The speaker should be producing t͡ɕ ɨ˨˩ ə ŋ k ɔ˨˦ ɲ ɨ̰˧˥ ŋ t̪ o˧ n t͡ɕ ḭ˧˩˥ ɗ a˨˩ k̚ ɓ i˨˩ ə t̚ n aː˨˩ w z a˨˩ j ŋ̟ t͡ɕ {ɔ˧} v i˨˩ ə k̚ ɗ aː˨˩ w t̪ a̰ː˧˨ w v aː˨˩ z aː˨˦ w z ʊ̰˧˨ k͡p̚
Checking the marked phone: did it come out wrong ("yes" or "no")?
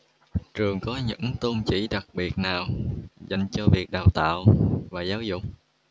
no